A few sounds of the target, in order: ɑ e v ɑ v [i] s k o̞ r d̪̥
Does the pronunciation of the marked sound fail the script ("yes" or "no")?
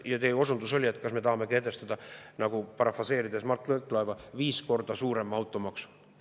yes